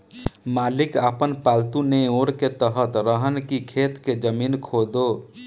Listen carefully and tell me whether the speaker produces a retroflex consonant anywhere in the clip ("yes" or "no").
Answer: no